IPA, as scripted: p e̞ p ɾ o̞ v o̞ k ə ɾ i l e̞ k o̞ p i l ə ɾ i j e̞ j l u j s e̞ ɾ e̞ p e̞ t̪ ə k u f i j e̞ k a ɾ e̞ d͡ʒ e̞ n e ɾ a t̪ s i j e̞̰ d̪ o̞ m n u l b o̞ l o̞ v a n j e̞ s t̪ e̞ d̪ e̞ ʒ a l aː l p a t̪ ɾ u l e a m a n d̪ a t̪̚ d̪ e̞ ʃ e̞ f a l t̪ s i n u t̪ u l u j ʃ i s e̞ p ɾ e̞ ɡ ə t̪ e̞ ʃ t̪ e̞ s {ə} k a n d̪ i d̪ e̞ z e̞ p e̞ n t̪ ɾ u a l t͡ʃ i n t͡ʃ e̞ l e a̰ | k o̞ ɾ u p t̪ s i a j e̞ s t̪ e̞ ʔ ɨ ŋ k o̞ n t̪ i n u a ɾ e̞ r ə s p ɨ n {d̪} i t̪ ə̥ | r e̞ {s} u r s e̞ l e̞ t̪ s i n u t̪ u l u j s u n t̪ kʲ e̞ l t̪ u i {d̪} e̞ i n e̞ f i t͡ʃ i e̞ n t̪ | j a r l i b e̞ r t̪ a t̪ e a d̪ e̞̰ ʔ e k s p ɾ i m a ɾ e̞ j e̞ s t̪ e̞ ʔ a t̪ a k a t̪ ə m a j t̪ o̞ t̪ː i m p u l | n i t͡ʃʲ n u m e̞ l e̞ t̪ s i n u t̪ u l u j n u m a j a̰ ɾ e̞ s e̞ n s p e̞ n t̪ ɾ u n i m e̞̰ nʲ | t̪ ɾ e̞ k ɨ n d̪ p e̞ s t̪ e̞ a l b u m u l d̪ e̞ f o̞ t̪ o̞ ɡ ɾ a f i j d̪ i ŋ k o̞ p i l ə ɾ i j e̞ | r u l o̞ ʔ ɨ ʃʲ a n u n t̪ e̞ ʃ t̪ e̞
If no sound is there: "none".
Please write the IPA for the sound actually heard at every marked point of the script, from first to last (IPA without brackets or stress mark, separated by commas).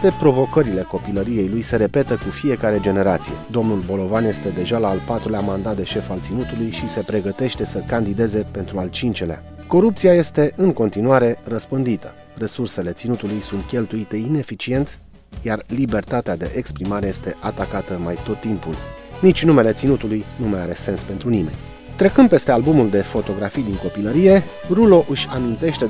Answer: ə, d̪, s, t̪